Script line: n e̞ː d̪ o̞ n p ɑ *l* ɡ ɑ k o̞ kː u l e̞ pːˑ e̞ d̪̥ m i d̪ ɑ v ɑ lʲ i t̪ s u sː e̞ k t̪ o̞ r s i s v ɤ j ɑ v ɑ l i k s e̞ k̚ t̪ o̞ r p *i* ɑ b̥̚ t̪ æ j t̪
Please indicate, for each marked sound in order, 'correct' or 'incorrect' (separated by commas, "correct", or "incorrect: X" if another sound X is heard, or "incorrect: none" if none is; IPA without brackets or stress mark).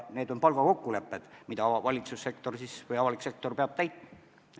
correct, incorrect: e